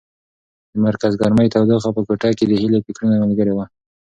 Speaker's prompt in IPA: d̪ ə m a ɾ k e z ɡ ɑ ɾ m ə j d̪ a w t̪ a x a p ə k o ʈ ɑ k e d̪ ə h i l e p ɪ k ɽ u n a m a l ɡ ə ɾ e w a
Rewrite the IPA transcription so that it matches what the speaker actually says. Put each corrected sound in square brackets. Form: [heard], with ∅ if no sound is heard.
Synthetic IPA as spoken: d̪ ə m a ɾ k [a] z ɡ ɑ ɾ m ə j [t̪] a w [d̪] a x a p ə k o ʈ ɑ k e d̪ ə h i l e p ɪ k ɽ u n a m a l ɡ ə ɾ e w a